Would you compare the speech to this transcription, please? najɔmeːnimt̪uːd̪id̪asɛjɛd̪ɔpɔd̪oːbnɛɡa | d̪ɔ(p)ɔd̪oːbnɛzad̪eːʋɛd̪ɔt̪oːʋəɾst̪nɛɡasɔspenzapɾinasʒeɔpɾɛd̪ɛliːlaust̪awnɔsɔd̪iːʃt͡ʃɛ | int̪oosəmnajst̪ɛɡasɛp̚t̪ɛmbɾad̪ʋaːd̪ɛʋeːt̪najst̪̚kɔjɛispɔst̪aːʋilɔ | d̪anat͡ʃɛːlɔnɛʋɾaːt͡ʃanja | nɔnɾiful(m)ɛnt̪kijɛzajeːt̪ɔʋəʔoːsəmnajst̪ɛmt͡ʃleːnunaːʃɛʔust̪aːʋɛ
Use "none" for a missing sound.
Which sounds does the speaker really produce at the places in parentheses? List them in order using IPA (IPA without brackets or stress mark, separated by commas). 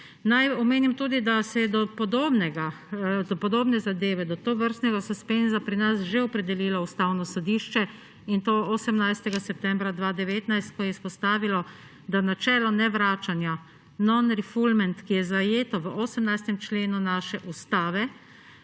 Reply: p, m